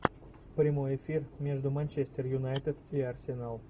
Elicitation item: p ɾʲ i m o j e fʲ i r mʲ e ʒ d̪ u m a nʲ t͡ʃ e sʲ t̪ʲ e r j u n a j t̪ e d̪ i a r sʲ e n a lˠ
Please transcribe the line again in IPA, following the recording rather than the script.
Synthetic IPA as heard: p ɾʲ i m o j e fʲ i r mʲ e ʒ d̪ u m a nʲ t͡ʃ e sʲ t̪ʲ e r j u n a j t̪ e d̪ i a r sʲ e n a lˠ